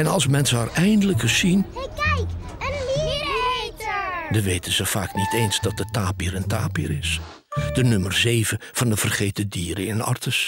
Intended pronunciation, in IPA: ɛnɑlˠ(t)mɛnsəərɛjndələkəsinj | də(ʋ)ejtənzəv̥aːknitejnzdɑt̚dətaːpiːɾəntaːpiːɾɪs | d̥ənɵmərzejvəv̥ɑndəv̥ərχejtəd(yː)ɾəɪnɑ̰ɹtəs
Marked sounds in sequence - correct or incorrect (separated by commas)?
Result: incorrect, correct, incorrect